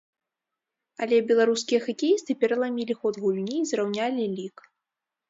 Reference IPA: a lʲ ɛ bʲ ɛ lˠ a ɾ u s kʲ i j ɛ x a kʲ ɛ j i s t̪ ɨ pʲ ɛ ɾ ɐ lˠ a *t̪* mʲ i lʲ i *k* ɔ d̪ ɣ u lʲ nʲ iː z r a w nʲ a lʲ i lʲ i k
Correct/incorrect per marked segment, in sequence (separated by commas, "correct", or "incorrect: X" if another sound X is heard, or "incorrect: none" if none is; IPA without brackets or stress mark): incorrect: none, incorrect: x